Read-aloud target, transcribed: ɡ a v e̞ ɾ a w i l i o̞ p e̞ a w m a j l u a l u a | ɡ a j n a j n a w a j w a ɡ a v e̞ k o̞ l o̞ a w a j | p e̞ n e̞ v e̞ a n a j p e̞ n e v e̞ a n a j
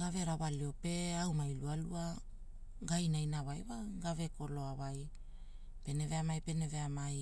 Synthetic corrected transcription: ɡ a v e̞ ɾ a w a l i o̞ p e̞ a w m a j l u a l u a | ɡ a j n a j n a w a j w a ɡ a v e̞ k o̞ l o̞ a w a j | p e̞ n e̞ v e̞ a m a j p e̞ n e v e̞ a m a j